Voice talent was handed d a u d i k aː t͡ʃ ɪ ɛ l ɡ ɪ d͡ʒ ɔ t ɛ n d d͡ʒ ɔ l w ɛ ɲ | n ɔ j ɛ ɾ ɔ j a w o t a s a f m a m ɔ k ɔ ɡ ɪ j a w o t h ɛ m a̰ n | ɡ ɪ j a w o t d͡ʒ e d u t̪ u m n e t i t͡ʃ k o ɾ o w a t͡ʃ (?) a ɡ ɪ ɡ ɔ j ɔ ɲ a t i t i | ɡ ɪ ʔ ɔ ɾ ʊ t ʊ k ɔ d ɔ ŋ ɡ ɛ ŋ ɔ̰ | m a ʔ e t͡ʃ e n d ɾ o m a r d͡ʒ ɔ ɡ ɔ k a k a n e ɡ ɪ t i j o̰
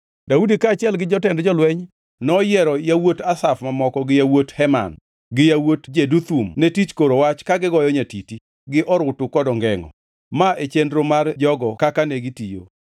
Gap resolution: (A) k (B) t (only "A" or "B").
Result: A